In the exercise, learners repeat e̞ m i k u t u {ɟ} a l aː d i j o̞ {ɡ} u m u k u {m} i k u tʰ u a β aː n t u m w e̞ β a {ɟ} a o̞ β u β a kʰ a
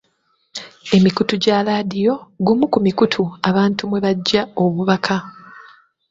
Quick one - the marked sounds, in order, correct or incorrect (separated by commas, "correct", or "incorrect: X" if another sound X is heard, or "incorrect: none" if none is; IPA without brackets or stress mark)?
correct, correct, correct, incorrect: ɟː